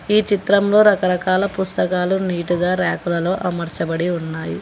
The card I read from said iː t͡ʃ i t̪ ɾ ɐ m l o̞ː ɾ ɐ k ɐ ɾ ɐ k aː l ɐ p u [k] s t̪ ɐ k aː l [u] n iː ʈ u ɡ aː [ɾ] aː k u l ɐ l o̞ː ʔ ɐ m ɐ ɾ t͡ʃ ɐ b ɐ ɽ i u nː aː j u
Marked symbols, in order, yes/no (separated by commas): no, yes, yes